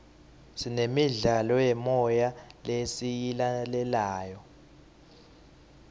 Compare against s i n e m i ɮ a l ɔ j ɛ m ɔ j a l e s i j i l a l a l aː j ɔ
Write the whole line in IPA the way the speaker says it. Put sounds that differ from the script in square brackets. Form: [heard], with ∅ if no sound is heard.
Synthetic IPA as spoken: s i n e m i ɮ a l ɔ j ɛ m ɔ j a l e s i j i l a l [ɛ] l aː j ɔ